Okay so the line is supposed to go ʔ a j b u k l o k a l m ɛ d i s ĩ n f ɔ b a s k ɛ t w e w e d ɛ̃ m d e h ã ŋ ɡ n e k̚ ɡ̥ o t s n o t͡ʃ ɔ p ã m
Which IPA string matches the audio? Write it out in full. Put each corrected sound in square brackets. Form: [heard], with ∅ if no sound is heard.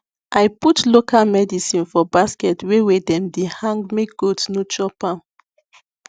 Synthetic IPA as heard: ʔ a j [p] u [t] l o k a l m ɛ d i s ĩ n f ɔ b a s k ɛ t w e w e d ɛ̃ m d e h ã ŋ ɡ [m] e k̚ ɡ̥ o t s n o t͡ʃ ɔ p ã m